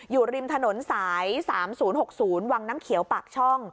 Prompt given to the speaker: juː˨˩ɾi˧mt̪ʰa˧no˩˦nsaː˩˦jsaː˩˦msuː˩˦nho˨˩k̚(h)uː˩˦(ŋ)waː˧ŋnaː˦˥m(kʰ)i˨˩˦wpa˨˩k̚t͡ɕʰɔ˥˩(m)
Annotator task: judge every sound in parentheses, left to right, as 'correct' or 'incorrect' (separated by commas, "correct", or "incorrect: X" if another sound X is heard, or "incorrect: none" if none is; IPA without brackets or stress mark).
incorrect: s, incorrect: n, correct, incorrect: ŋ